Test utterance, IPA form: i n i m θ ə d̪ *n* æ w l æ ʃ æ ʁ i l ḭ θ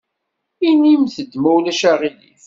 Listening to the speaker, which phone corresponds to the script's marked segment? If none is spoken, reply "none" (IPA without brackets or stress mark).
m